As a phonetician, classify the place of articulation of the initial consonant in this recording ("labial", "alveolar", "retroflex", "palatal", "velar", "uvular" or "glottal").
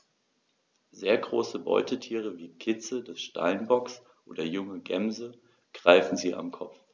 alveolar